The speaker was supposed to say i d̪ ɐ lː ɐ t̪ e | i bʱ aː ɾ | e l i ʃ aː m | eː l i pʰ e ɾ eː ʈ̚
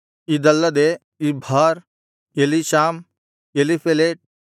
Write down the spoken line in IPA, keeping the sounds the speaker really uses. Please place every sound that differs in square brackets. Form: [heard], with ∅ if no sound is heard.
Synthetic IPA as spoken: i d̪ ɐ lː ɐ [d̪] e | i bʱ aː ɾ | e l i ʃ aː m | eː l i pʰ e [l] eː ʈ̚